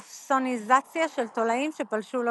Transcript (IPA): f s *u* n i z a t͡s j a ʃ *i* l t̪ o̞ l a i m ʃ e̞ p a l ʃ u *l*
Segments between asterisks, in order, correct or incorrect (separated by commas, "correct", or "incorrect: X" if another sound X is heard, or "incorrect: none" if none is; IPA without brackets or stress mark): incorrect: o, incorrect: e, correct